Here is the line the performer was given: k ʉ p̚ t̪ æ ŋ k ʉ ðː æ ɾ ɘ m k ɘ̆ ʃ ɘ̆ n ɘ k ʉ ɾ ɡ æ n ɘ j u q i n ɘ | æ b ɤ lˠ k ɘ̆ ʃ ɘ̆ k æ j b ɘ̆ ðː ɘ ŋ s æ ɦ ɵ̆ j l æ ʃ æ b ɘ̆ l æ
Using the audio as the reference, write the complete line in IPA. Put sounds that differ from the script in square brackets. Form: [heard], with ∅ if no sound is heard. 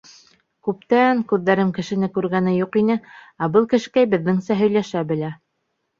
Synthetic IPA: k ʉ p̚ t̪ æ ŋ k ʉ ðː æ ɾ ɘ m k ɘ̆ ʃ ɘ̆ n ɘ k ʉ ɾ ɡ æ n ɘ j u q i n ɘ | æ b ɤ lˠ k ɘ̆ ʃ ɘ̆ k æ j b ɘ̆ ðː ɘ ŋ s æ ɦ ɵ̆ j l æ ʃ æ b ɘ̆ l æ